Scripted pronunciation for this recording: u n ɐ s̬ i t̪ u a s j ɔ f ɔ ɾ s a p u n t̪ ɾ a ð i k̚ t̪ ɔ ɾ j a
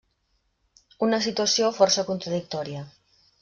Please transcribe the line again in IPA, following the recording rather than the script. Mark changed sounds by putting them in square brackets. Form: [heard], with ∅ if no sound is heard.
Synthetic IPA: u n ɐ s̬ i t̪ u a s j [o] f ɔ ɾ s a [k] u n t̪ ɾ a ð i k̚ t̪ ɔ ɾ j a